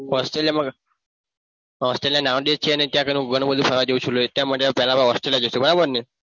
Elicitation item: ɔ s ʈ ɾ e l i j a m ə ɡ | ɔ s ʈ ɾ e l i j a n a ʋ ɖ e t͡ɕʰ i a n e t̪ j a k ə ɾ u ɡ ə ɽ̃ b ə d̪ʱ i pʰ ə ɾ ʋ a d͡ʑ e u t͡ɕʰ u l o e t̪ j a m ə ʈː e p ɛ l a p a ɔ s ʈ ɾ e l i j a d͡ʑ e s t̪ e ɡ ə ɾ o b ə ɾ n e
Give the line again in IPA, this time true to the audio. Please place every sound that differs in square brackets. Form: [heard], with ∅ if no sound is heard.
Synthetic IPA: ɔ s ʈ ɾ e l i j a m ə ɡ | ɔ s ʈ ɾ e l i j a n a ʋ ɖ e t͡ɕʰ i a n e t̪ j a k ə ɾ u ɡ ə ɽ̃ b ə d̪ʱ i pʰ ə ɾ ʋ a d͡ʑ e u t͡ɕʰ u l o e t̪ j a m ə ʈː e p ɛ l a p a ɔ s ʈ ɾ e l i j a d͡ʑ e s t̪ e [b] ə ɾ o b ə ɾ n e